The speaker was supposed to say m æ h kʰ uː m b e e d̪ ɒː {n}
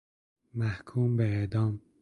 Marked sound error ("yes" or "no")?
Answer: yes